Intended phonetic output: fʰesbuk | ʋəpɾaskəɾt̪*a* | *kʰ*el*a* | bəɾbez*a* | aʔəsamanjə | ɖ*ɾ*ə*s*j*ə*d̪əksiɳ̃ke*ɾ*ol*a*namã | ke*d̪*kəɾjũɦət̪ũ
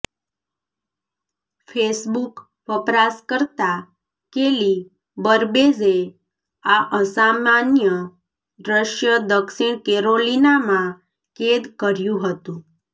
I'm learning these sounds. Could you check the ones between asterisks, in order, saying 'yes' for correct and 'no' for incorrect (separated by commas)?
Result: yes, no, no, no, yes, no, yes, yes, no, yes